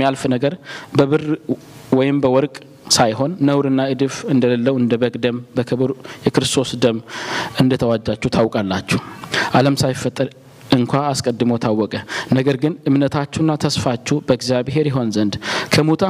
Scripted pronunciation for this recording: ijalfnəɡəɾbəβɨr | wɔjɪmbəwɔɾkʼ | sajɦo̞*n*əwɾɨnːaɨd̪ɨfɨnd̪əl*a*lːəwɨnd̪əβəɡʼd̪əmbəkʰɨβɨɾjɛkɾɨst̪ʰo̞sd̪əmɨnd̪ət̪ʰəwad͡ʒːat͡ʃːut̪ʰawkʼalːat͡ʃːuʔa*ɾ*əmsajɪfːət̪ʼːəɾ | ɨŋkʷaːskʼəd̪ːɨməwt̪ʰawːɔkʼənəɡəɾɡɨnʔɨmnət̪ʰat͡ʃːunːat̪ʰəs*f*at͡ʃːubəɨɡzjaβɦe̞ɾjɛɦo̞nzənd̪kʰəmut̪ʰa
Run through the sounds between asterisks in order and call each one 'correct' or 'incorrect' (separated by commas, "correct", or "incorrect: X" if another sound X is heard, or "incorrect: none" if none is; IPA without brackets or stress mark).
incorrect: nː, incorrect: ə, incorrect: l, correct